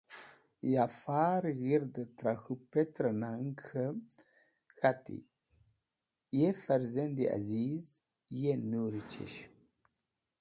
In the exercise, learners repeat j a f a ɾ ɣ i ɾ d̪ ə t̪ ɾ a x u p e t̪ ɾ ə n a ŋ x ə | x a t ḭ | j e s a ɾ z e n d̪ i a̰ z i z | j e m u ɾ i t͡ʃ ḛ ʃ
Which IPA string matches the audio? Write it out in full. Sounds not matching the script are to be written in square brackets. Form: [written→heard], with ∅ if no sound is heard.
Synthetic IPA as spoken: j a f a ɾ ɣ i ɾ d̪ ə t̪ ɾ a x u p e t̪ ɾ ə n a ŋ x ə | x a t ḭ | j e [s→f] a ɾ z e n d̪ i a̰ z i z | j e [m→n] u ɾ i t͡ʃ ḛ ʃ